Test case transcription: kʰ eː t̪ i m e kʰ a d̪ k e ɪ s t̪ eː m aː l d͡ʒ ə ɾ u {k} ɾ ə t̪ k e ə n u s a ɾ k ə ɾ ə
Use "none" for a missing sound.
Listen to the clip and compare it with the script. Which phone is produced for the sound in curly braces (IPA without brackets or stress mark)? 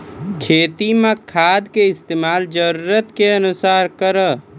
none